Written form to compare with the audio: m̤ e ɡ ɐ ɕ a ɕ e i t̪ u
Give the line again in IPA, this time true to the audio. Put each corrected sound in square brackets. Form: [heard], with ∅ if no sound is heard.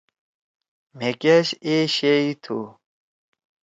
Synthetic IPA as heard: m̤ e [k] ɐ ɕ [e] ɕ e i [t̪ʰ] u